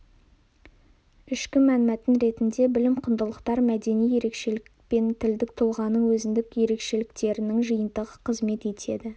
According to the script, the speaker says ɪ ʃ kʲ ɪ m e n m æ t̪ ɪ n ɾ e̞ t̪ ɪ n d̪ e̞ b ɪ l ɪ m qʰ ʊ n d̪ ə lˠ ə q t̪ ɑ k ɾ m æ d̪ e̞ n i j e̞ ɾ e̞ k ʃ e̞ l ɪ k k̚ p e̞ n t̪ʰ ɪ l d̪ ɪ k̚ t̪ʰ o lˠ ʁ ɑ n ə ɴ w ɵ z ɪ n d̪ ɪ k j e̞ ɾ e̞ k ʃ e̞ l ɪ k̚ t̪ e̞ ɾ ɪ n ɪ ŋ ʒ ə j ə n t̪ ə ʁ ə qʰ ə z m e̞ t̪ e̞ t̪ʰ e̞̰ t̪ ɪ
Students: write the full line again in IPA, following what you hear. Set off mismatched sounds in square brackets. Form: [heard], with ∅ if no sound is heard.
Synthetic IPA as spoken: ɪ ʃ kʲ ɪ m [æ] n m æ t̪ ɪ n ɾ e̞ t̪ ɪ n d̪ e̞ b ɪ l ɪ m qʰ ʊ n d̪ ə lˠ ə q t̪ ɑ [∅] ɾ m æ d̪ e̞ n i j e̞ ɾ e̞ k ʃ e̞ l ɪ k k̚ p e̞ n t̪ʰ ɪ l d̪ ɪ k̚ t̪ʰ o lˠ ʁ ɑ n ə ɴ w ɵ z ɪ n d̪ ɪ k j e̞ ɾ e̞ k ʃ e̞ l ɪ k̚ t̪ e̞ ɾ ɪ n ɪ ŋ ʒ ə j ə n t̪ ə ʁ ə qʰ ə z m e̞ t̪ e̞ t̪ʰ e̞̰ [d̪] ɪ